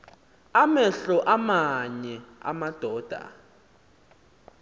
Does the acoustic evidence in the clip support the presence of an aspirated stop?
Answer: no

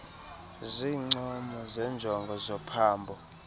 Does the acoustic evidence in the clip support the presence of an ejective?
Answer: no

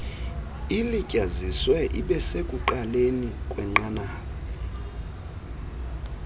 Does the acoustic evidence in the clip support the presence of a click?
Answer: yes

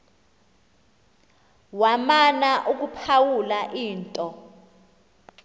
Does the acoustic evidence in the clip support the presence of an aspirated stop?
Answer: yes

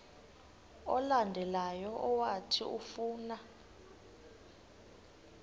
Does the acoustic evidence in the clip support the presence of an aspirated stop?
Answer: yes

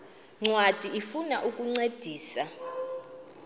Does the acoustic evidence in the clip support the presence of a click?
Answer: yes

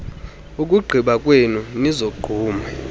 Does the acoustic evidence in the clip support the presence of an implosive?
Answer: yes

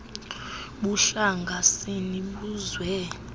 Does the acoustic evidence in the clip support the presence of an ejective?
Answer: no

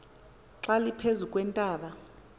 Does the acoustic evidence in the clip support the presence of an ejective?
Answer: yes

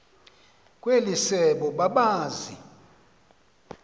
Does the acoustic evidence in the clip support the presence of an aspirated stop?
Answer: no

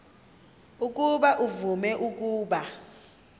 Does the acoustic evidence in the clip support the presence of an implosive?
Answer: yes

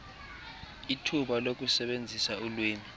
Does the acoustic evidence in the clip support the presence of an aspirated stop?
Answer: yes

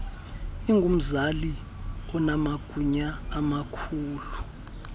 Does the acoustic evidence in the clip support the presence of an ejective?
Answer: no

